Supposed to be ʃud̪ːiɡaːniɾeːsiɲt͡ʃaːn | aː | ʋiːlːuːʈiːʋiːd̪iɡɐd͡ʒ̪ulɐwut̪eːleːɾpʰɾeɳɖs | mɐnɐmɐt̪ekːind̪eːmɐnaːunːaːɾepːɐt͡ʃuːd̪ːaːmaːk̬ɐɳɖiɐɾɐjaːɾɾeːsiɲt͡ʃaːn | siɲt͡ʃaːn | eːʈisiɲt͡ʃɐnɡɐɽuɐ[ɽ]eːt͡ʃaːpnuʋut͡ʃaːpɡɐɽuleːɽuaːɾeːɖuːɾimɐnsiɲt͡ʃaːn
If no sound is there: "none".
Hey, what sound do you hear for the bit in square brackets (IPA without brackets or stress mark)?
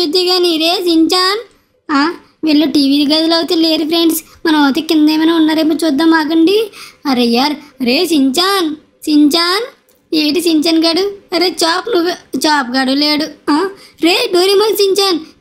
ɾ